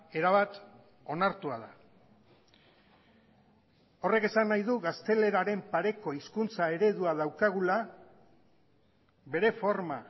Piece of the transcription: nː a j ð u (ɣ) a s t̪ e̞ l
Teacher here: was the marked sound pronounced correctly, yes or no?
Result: yes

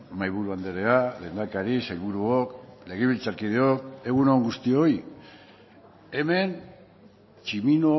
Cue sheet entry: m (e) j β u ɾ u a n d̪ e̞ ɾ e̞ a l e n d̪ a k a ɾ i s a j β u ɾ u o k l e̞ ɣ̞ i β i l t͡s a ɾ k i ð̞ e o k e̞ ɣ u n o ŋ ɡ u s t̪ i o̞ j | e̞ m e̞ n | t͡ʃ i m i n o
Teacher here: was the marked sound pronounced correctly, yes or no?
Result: no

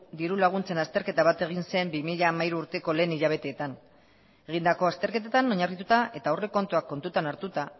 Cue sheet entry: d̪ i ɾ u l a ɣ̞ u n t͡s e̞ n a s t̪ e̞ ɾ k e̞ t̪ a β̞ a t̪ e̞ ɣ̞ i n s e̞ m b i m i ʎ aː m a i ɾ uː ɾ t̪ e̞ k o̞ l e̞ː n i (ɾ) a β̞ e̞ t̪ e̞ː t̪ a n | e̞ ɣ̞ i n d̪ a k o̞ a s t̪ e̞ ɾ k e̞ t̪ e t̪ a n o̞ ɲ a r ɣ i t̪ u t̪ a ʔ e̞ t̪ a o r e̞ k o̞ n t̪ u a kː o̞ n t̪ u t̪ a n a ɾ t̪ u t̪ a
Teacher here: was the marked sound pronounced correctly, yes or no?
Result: no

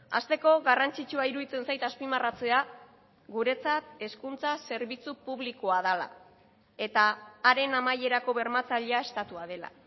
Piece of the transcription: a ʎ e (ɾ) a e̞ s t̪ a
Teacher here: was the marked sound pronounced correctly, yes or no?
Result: no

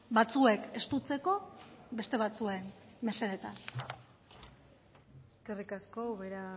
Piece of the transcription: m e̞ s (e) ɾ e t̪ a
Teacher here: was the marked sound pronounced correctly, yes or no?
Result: yes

